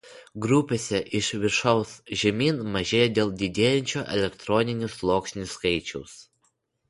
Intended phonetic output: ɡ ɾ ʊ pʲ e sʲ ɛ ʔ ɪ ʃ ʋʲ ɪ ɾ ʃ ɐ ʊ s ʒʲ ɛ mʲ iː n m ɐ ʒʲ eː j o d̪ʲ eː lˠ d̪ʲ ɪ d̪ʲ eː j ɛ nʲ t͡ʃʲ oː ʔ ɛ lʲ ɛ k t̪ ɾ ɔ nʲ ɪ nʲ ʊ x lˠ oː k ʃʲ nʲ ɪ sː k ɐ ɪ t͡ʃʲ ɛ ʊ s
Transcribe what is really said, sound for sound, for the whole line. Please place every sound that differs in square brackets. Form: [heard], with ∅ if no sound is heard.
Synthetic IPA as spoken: ɡ ɾ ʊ pʲ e sʲ ɛ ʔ ɪ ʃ ʋʲ ɪ ɾ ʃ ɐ ʊ s ʒʲ ɛ mʲ iː n m ɐ ʒʲ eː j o d̪ʲ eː lˠ d̪ʲ ɪ d̪ʲ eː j ɛ nʲ t͡ʃʲ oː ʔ ɛ lʲ ɛ k t̪ ɾ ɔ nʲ ɪ nʲ ʊ [s] lˠ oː k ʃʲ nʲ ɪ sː k ɐ ɪ t͡ʃʲ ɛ ʊ s